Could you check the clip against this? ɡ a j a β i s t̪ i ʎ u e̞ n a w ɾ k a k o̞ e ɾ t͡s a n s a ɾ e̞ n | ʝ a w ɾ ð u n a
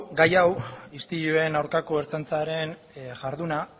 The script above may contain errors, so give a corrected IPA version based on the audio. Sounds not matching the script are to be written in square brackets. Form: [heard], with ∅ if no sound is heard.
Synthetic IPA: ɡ a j a [w] i s t̪ i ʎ u e̞ n a w ɾ k a k o̞ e ɾ t͡s a n [t͡s] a ɾ e̞ n | ʝ a [∅] ɾ ð u n a